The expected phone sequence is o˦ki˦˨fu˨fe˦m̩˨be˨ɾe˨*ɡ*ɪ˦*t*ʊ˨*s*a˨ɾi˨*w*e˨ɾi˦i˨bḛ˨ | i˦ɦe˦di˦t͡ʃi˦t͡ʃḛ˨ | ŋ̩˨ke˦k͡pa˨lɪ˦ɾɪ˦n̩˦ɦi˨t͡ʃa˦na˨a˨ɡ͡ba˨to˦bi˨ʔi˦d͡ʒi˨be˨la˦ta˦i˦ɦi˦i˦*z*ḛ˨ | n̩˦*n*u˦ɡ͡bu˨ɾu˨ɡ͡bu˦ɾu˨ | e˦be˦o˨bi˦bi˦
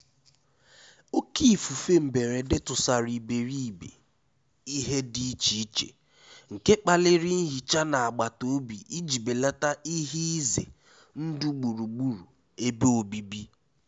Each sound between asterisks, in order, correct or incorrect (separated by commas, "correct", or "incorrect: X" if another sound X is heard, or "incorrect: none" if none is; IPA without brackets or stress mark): incorrect: d, correct, correct, incorrect: b, correct, incorrect: d